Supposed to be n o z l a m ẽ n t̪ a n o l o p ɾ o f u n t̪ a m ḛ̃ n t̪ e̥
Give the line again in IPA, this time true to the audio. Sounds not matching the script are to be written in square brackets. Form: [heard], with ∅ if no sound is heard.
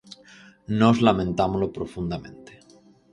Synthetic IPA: n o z l a m ẽ n t̪ a [m] o l o p ɾ o f u n [d̪] a m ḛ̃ n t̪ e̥